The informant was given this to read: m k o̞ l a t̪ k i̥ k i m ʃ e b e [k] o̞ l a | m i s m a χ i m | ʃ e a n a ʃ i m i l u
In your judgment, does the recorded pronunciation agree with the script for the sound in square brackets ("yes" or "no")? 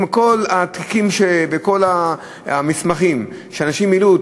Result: yes